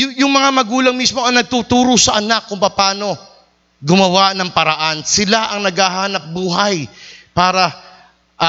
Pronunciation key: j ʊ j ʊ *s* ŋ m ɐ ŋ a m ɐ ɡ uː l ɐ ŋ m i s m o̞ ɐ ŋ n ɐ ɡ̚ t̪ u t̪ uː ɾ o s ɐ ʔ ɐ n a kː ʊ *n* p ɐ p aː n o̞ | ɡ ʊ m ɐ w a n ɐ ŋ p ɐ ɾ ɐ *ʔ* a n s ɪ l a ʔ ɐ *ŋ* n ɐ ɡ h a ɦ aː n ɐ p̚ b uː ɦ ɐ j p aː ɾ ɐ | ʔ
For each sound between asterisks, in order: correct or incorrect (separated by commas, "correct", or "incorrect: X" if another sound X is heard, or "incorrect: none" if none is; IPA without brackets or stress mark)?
incorrect: none, incorrect: ŋ, correct, correct